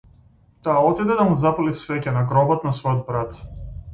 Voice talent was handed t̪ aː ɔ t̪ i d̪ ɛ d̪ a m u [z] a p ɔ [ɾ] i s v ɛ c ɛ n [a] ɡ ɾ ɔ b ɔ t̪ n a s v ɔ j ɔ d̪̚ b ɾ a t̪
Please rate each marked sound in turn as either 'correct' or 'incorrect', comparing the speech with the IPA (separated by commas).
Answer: correct, incorrect, correct